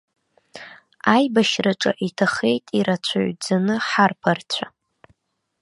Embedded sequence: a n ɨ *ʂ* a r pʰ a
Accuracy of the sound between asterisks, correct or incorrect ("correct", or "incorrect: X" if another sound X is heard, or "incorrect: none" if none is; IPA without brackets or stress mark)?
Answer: incorrect: ħ